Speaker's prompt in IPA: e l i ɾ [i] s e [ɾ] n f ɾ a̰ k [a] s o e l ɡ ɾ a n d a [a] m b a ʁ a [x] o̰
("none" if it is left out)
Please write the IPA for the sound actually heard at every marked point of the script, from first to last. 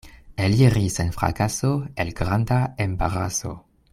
i, none, a, e, s

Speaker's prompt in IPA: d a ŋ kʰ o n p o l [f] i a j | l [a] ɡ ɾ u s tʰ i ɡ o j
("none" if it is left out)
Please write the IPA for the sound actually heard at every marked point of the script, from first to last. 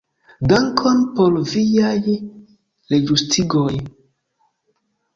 v, e

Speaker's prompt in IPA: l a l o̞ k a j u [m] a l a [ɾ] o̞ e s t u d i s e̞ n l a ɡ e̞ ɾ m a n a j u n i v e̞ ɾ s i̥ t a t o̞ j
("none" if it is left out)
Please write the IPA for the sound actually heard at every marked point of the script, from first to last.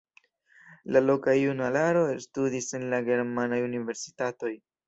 n, ɾ

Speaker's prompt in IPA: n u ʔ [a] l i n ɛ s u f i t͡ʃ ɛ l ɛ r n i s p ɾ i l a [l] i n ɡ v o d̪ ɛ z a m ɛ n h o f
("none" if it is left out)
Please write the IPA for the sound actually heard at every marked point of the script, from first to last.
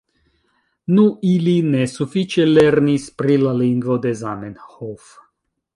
i, l

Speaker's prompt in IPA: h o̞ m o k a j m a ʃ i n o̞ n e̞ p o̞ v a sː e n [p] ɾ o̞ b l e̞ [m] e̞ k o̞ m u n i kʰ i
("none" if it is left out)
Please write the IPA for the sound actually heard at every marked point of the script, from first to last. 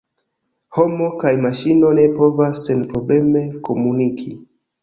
p, m

